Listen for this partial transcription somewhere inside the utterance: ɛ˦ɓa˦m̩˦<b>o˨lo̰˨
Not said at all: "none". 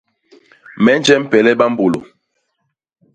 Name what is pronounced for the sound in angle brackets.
b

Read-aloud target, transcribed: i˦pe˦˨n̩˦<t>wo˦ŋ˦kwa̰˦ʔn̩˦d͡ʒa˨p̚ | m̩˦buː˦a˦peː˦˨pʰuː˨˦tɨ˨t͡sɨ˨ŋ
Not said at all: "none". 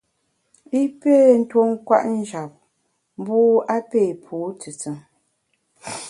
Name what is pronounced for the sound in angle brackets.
t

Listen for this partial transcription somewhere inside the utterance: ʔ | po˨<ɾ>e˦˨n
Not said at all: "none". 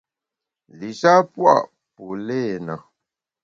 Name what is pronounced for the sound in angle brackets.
l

